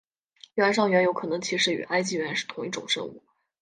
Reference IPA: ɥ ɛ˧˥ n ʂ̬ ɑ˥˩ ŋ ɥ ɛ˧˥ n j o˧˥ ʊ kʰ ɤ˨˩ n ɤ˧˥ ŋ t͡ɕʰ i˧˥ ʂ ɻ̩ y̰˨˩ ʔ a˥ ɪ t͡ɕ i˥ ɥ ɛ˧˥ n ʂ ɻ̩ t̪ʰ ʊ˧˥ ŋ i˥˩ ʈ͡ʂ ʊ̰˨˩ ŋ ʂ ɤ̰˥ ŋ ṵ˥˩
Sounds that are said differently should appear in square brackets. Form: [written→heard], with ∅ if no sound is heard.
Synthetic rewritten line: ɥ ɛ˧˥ n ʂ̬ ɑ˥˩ ŋ ɥ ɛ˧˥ n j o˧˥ ʊ kʰ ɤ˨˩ n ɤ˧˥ ŋ t͡ɕʰ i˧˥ ʂ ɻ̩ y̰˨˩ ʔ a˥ ɪ t͡ɕ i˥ ɥ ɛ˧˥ n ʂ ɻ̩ t̪ʰ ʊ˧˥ ŋ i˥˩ ʈ͡ʂ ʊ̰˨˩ ŋ ʂ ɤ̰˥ ŋ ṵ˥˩